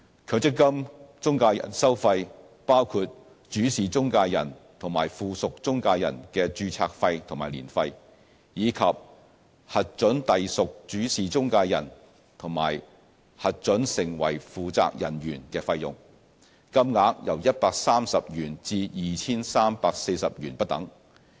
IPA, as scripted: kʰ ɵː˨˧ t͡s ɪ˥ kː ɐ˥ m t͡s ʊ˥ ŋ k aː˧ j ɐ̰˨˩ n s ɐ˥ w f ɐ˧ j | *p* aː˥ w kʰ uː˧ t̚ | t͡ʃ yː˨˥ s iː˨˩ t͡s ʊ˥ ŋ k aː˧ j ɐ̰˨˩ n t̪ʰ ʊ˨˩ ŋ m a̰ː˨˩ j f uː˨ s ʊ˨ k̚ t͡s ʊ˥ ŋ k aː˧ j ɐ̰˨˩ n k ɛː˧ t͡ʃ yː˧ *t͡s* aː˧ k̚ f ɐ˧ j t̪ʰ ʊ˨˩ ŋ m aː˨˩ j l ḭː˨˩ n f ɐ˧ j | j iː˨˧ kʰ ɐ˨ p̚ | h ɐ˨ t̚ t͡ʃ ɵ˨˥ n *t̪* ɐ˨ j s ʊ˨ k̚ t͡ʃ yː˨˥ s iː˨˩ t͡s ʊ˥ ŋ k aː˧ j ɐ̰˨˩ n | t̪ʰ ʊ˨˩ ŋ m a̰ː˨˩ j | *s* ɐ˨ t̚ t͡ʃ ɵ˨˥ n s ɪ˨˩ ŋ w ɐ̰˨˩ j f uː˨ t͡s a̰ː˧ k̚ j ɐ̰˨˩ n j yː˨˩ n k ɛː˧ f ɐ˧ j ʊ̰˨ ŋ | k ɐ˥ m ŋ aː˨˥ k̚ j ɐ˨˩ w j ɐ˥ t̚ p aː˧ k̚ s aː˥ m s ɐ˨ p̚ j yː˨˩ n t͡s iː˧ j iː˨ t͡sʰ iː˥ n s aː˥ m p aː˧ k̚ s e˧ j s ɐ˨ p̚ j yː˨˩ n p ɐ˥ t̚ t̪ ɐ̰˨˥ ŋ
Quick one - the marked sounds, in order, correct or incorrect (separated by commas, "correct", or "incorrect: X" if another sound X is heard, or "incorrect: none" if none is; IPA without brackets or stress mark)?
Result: correct, incorrect: t͡sʰ, correct, incorrect: h